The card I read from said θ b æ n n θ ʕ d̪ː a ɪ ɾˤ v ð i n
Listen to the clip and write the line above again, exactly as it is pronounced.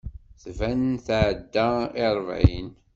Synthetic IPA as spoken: θ v æ n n θ ʕ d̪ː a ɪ ɾˤ v ʕ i n